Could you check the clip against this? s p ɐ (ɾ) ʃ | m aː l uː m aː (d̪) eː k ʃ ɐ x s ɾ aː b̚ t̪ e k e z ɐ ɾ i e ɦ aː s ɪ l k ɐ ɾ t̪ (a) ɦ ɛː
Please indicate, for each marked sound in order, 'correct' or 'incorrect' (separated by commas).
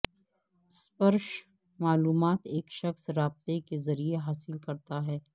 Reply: correct, incorrect, correct